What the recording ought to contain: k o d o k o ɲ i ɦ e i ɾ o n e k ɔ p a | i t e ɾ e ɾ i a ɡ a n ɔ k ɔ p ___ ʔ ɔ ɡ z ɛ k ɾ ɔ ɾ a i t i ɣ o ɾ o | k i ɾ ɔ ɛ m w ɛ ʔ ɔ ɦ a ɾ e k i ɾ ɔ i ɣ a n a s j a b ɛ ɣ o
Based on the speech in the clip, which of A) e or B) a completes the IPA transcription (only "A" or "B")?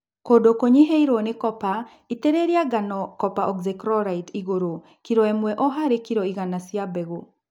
B